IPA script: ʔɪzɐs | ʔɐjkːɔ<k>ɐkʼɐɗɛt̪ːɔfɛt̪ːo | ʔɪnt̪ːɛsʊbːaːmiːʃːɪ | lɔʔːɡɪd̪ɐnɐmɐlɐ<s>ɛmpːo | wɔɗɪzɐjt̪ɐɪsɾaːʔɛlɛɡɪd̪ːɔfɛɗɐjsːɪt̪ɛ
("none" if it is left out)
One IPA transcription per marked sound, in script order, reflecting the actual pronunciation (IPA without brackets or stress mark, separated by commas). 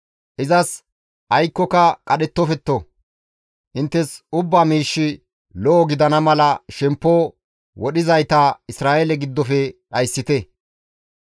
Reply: k, ʃ